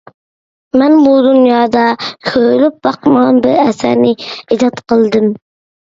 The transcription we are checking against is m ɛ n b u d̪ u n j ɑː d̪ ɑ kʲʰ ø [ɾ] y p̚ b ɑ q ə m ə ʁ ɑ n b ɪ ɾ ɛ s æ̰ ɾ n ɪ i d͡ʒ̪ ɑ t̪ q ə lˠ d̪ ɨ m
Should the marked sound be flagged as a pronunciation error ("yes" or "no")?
yes